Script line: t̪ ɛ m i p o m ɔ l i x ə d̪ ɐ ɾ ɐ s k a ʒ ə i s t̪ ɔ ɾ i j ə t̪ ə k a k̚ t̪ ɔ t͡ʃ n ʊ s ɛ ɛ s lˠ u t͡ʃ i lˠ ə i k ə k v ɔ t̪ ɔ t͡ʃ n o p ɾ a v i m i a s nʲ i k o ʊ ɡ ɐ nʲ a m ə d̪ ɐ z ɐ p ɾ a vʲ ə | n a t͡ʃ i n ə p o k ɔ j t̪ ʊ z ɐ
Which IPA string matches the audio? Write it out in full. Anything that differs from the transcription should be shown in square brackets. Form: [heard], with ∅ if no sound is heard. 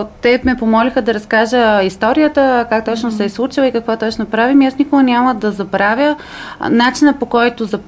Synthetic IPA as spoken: t̪ ɛ m [ɛ] p o m ɔ l i x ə d̪ ɐ ɾ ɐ s k a ʒ ə i s t̪ ɔ ɾ i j ə t̪ ə k a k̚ t̪ ɔ t͡ʃ n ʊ s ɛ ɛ s lˠ u t͡ʃ i lˠ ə i k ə k v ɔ t̪ ɔ t͡ʃ n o p ɾ a v i m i a s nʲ i k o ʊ ɡ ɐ nʲ a m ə d̪ ɐ z ɐ [b] ɾ a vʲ ə | n a t͡ʃ i n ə p o k ɔ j t̪ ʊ z ɐ